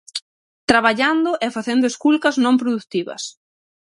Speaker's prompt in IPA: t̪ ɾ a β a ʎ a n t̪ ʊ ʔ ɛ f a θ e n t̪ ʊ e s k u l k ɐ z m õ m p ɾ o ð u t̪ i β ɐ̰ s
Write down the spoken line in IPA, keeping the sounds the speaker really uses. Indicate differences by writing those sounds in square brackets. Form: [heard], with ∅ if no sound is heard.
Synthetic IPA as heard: t̪ ɾ a β a ʎ a n [d̪] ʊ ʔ ɛ f a θ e n [d̪] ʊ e s k u l k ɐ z [n] õ m p ɾ o ð u t̪ i β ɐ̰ s